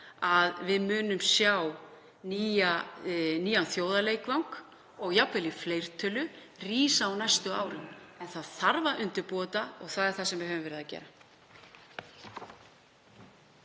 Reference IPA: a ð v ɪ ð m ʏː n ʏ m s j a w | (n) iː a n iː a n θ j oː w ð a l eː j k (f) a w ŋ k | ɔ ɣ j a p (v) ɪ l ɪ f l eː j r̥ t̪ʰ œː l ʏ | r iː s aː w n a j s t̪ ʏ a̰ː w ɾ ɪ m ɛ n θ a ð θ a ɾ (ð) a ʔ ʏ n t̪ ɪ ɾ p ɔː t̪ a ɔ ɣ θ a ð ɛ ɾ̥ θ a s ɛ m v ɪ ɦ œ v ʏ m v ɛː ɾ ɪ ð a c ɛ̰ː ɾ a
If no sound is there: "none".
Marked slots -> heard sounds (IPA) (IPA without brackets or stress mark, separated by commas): n, v, v, v